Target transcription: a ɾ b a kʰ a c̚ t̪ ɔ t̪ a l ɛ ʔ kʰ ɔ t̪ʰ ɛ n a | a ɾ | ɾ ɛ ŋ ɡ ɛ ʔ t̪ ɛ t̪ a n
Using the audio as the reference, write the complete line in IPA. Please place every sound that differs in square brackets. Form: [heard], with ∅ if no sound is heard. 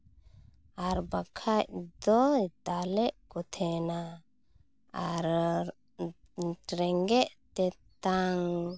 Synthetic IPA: a ɾ b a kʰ a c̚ [d̪] ɔ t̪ a l ɛ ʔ [k] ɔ t̪ʰ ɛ n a | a ɾ | ɾ ɛ ŋ ɡ ɛ ʔ t̪ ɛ t̪ a [ŋ]

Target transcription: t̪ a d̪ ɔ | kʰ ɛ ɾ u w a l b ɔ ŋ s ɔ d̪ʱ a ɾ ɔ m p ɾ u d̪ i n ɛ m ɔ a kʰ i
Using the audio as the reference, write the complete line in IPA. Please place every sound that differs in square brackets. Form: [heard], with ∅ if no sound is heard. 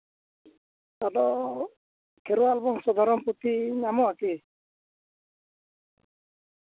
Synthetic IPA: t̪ a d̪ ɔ | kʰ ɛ ɾ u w a l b ɔ ŋ s ɔ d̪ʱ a ɾ ɔ m p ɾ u [t̪] i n [a] m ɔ a [k] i

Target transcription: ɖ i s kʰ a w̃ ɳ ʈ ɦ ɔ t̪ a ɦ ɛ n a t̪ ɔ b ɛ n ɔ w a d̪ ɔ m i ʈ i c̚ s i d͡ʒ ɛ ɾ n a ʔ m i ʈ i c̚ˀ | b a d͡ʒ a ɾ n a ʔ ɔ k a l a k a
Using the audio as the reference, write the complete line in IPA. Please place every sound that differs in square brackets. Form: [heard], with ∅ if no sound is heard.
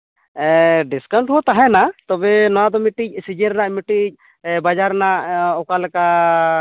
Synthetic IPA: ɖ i s [k] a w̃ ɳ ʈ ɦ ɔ t̪ a ɦ ɛ n a t̪ ɔ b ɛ n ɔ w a d̪ ɔ m i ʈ i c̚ s i d͡ʒ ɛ ɾ n a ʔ m i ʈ i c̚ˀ | b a d͡ʒ a ɾ n a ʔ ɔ k a l [ɛ] k a

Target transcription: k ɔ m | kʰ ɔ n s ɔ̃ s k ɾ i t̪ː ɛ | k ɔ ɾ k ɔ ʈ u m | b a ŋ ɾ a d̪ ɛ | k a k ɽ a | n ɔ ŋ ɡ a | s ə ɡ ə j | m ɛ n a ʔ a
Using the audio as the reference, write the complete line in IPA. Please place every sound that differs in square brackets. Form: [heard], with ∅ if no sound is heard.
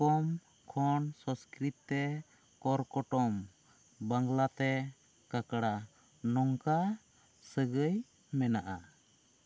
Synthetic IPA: k ɔ m | kʰ ɔ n s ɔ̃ s k ɾ i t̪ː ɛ | k ɔ ɾ k ɔ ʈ [ɔ] m | b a ŋ [l] a [t̪] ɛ | k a k ɽ a | n ɔ ŋ [k] a | s ə ɡ ə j | m ɛ n a ʔ a

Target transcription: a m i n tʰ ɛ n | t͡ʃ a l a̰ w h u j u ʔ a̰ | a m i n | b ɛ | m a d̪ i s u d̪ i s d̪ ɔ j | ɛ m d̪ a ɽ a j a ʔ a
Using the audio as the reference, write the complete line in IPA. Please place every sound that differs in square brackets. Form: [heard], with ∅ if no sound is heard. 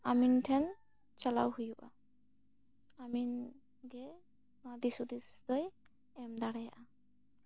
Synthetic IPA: a m i n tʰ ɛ n | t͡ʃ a l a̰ w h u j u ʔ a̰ | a m i n | [ɡ] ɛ | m a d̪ i s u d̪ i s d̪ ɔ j | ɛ m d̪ a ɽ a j a ʔ a

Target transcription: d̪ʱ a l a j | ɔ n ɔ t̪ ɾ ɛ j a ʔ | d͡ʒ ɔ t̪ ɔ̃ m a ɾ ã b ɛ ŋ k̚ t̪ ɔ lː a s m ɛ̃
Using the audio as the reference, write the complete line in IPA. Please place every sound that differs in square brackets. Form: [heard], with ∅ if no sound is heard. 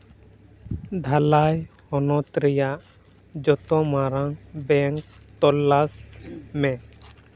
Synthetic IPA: d̪ʱ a l a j | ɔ n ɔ t̪ ɾ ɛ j a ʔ | d͡ʒ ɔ t̪ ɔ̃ m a ɾ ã b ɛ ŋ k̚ t̪ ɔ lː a s m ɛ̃

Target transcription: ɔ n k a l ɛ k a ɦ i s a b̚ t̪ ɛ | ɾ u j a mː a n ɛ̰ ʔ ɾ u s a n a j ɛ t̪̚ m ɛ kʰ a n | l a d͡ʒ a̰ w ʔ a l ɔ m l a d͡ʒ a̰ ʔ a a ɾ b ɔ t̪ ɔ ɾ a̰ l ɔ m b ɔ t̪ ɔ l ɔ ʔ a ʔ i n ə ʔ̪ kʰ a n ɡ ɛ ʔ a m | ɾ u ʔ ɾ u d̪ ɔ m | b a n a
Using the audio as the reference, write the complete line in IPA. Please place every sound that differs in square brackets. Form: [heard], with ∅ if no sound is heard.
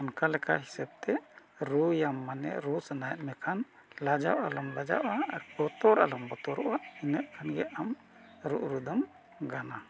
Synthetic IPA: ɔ n k a l ɛ k a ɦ i s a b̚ t̪ ɛ | ɾ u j a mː a n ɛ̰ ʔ ɾ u s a n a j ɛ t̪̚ m ɛ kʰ a n | l a d͡ʒ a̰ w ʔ a l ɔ m l a d͡ʒ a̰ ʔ a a ɾ b ɔ t̪ ɔ ɾ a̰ l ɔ m b ɔ t̪ ɔ [ɾ] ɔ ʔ a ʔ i n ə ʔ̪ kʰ a n ɡ ɛ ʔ a m | ɾ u ʔ ɾ u d̪ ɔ m | [ɡ] a n a

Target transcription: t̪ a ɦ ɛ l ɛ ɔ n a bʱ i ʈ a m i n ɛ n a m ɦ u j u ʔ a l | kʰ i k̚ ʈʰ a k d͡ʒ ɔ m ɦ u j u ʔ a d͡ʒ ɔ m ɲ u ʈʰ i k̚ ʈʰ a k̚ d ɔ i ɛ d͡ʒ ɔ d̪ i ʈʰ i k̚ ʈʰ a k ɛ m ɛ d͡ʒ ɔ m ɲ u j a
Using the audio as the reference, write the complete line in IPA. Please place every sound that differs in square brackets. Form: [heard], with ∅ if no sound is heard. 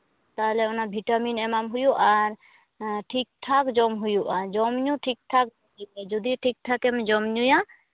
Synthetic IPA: t̪ a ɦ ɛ l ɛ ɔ n a bʱ i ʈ a m i n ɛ [m] a m ɦ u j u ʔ a [ɾ] | [ʈʰ] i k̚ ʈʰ a k d͡ʒ ɔ m ɦ u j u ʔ a d͡ʒ ɔ m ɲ u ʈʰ i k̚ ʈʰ a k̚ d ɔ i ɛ d͡ʒ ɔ d̪ i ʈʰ i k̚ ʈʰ a k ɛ m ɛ d͡ʒ ɔ m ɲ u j a

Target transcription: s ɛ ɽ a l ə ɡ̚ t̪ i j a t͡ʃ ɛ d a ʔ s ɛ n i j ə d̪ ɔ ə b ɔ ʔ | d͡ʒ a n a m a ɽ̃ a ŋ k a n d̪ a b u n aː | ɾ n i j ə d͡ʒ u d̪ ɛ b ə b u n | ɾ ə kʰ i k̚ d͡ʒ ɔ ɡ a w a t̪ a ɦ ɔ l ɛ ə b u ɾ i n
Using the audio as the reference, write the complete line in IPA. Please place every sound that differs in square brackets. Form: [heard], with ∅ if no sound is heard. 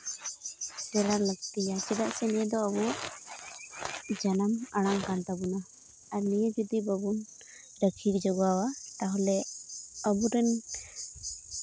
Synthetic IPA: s ɛ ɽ a l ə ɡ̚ t̪ i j a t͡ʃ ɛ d a ʔ s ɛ n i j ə d̪ ɔ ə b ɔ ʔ | d͡ʒ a n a m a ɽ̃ a ŋ k a n [t̪] a b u n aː | ɾ n i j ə d͡ʒ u d̪ [i] b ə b u n | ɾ ə kʰ i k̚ d͡ʒ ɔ ɡ a w a t̪ a ɦ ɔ l ɛ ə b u ɾ [ɛ] n

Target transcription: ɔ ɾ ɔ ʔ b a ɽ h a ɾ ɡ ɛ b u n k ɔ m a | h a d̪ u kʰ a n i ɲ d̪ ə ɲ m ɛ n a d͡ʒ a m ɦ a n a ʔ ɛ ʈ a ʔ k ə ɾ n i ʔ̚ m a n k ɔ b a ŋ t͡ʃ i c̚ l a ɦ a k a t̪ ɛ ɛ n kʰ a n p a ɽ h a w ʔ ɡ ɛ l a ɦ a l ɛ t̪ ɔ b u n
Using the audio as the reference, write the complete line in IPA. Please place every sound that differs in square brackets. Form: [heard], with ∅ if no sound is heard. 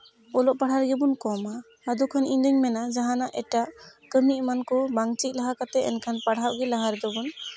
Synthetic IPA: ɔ [l] ɔ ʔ [p] a ɽ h a ɾ ɡ ɛ b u n k ɔ m a | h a d̪ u kʰ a n i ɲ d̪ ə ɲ m ɛ n a d͡ʒ a [∅] ɦ a n a ʔ ɛ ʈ a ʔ k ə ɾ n i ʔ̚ m a n k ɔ b a ŋ t͡ʃ i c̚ l a ɦ a k a t̪ ɛ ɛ n kʰ a n p a ɽ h a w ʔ ɡ ɛ l a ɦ a [ɾ] ɛ [d̪] ɔ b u n

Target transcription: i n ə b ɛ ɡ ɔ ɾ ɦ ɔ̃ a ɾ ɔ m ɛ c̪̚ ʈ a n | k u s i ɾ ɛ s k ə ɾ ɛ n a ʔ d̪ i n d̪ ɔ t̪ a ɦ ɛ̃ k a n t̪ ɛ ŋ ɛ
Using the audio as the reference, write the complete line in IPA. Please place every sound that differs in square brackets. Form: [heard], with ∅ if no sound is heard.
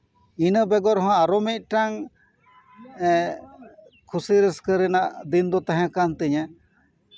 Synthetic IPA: i n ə b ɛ ɡ ɔ ɾ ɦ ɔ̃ a ɾ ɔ m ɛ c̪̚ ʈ a [ŋ] | [kʰ] u s i ɾ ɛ s k ə ɾ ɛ n a ʔ d̪ i n d̪ ɔ t̪ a ɦ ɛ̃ k a n t̪ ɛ [ɲ] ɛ

